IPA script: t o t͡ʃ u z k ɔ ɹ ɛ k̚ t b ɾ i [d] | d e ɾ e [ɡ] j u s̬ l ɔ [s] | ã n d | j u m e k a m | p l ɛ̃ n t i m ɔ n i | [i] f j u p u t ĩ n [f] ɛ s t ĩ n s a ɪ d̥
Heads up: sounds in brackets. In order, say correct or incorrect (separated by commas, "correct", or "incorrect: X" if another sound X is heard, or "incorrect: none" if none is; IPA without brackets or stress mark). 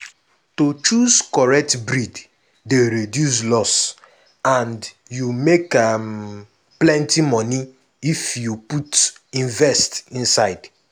correct, incorrect: d, correct, correct, incorrect: v